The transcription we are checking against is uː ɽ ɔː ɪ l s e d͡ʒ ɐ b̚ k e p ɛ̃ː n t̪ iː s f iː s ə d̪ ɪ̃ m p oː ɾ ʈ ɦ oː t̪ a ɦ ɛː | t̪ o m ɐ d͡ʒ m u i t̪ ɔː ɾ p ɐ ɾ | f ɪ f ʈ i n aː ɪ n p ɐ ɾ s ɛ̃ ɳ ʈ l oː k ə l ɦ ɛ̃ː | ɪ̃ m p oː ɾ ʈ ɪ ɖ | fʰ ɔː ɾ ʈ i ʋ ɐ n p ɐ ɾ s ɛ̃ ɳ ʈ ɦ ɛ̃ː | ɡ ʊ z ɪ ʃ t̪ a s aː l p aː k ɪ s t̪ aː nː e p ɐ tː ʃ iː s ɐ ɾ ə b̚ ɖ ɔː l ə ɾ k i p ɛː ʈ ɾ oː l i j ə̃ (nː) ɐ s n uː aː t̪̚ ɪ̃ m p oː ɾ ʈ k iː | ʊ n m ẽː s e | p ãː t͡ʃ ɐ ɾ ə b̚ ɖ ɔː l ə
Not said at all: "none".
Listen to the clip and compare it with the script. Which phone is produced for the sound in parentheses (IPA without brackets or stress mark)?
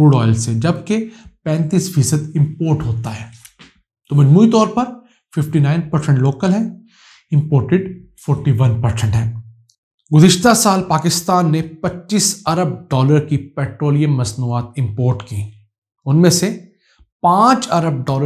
mː